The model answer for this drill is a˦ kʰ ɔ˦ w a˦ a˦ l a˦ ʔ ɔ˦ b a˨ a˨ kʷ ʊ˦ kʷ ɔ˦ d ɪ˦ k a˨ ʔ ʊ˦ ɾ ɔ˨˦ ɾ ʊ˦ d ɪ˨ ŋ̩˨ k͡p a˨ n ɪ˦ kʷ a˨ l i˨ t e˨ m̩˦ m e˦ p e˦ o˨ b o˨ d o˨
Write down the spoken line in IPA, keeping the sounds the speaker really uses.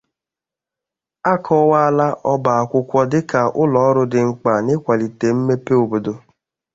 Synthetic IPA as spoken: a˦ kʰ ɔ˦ w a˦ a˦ l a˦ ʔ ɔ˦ b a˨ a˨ kʷ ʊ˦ kʷ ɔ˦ d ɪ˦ k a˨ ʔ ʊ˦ l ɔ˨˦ ɾ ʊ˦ d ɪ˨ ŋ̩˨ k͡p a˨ n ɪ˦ kʷ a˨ l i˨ t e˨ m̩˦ m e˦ p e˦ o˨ b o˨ d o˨